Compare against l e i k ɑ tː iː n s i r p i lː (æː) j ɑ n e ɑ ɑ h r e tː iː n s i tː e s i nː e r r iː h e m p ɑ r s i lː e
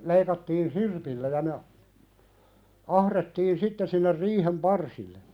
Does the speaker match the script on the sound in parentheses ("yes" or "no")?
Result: no